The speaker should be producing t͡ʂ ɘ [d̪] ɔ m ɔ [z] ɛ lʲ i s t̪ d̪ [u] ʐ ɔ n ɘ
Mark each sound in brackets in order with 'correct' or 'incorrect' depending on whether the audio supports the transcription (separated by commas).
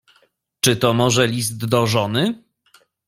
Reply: incorrect, incorrect, incorrect